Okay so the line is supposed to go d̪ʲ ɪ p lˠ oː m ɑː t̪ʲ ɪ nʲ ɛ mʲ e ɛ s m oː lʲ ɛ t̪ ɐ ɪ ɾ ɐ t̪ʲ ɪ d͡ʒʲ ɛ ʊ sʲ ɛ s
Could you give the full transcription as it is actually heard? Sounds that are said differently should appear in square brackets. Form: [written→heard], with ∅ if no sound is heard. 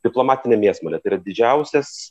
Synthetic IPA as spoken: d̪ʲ ɪ p lˠ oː m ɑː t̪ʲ ɪ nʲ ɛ mʲ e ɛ s m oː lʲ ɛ t̪ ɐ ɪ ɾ ɐ [t̪ʲ→d̪ʲ] ɪ d͡ʒʲ ɛ ʊ sʲ ɛ s